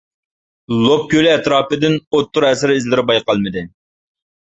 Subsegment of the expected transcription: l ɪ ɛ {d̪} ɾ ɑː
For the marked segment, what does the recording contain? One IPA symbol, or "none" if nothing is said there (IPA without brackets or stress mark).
t̪